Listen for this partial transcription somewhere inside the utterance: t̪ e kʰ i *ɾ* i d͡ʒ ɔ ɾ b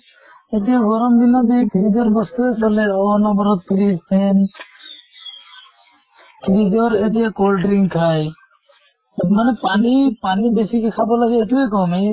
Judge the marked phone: correct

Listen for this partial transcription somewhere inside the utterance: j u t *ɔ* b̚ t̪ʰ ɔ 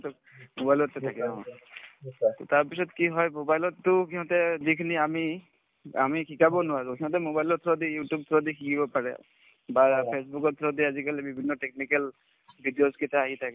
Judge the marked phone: incorrect: u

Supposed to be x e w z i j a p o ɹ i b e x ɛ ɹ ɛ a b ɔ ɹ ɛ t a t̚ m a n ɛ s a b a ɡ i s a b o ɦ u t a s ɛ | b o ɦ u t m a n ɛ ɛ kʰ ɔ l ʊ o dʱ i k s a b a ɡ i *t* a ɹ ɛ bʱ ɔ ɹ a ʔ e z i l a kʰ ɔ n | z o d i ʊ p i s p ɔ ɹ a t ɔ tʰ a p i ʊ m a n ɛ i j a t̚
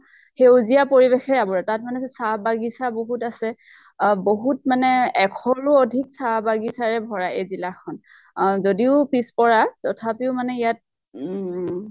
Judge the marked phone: incorrect: s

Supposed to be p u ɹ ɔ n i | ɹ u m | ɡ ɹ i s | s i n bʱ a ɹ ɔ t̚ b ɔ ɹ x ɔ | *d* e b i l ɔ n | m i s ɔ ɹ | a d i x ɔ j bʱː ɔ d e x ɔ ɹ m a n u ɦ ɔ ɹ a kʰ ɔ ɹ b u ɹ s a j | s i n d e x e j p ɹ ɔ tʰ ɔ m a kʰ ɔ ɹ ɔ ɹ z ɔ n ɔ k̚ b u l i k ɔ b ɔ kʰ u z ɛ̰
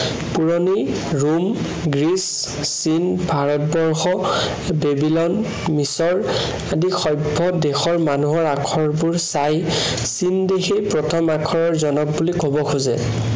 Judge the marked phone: incorrect: b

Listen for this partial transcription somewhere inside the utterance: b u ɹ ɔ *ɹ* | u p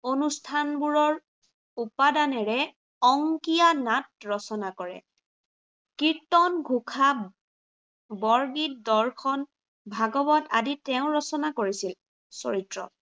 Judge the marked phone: correct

